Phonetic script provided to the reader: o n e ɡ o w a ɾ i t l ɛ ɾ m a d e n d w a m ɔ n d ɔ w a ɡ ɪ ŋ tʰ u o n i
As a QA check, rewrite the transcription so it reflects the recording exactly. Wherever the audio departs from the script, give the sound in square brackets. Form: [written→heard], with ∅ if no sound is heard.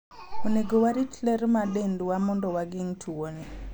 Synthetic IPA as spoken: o n e ɡ o w a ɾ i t l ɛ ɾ m a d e n d w a m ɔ n d ɔ w a ɡ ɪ ŋ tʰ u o n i